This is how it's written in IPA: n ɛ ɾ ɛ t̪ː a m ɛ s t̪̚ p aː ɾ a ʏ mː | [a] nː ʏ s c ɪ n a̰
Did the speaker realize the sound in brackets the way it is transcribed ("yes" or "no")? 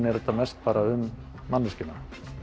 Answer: yes